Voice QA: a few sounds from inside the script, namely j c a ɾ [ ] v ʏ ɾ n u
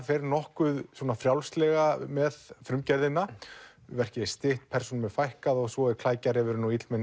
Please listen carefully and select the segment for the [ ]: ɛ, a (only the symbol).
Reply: ɛ